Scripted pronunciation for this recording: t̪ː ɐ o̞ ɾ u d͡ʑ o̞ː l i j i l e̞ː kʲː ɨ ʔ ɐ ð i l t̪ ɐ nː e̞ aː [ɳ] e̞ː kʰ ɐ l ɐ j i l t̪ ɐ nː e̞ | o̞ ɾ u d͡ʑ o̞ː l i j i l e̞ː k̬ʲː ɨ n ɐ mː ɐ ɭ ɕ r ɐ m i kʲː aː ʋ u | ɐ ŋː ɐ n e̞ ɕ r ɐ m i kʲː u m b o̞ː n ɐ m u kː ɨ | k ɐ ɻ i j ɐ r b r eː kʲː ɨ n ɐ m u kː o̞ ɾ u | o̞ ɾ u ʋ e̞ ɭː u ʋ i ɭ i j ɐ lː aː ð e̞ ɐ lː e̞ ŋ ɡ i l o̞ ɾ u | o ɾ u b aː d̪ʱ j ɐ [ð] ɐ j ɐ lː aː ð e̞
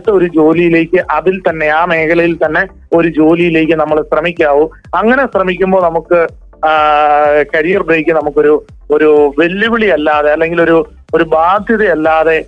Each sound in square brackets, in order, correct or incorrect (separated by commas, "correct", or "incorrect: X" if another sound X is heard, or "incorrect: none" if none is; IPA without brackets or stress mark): incorrect: m, correct